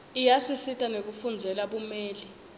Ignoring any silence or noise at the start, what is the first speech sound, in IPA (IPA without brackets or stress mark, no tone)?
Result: i